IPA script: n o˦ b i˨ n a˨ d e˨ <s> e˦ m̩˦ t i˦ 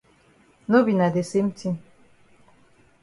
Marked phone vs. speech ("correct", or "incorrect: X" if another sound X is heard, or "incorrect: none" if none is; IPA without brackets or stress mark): correct